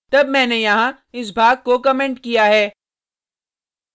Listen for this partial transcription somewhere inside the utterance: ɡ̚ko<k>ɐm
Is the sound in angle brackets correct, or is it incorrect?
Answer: correct